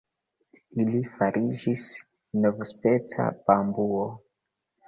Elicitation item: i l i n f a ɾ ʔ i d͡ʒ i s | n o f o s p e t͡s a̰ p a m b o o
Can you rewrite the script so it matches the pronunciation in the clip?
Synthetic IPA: i l i f a ɾ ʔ i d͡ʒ i s | n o v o s p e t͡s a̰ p a m b u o

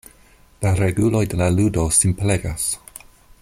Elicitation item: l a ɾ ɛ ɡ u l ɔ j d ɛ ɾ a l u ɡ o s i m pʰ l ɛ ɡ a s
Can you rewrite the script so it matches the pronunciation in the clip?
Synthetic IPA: l a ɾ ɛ ɡ u l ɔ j d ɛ l a l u d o s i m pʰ l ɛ ɡ a s

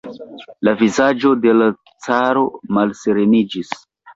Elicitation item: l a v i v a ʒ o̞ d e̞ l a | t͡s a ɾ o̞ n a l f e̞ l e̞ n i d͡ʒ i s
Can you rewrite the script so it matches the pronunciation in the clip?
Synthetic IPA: l a v i z a d͡ʒ o̞ d e̞ l a | t͡s a ɾ o̞ m a l s e̞ ɾ e̞ n i d͡ʒ i s

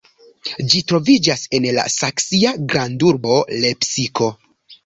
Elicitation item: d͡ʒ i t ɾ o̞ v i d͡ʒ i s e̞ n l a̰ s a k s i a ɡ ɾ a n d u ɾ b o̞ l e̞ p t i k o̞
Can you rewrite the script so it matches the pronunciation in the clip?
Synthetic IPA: d͡ʒ i t ɾ o̞ v i d͡ʒ a s e̞ n l a̰ s a k s i a ɡ ɾ a n d u ɾ b o̞ l e̞ p s i k o̞

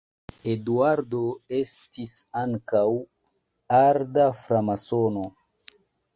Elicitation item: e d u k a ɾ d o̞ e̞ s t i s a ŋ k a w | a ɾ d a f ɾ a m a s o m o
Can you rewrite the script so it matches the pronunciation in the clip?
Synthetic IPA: e d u a ɾ d o̞ e̞ s t i s a ŋ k a w | a ɾ d a f ɾ a m a s o n o

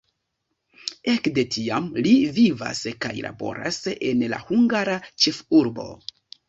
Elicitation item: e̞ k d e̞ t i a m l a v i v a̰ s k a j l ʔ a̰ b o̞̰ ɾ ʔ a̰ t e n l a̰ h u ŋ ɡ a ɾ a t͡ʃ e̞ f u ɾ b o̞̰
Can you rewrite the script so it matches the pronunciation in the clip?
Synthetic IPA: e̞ k d e̞ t i a m l i v i v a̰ s k a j l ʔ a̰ b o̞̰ ɾ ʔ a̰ s e n l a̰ h u ŋ ɡ a ɾ a t͡ʃ e̞ f u ɾ b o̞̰

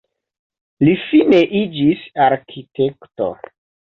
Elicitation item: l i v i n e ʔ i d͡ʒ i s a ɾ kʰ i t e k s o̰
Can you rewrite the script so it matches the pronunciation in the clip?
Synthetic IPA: l i f i n e ʔ i d͡ʒ i s a ɾ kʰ i t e k t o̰

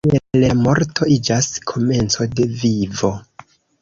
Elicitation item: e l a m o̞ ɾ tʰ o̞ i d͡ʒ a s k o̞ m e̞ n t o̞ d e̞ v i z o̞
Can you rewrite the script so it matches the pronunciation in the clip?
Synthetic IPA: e l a m o̞ ɾ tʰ o̞ i d͡ʒ a s kʰ o̞ m e̞ n t͡s o̞ d e̞ v i v o̞

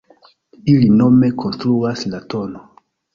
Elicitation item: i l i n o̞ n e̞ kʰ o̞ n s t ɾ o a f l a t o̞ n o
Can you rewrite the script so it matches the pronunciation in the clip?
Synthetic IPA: i l i n o̞ m e̞ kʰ o̞ n s t ɾ u a s l a t o̞ n o

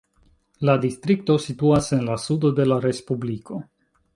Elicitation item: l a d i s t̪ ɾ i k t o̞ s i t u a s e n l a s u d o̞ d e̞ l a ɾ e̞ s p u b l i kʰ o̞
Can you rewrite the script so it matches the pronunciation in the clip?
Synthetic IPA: l a d i s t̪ ɾ i k t o̞ s i t u a s e n l a s u d o̞ d e̞ l a ɾ e̞ s p u b l i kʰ o̞

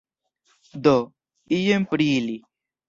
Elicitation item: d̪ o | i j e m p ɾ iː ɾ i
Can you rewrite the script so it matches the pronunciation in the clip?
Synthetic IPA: d̪ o | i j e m p ɾ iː l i

